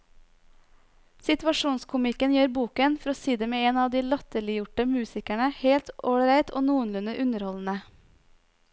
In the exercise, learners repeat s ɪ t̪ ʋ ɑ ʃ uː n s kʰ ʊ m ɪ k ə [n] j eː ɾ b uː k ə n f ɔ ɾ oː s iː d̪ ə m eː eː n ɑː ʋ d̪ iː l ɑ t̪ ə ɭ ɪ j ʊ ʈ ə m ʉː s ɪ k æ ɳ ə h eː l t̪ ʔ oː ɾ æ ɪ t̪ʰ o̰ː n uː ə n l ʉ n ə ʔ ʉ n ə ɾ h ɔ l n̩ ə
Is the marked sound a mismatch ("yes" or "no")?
no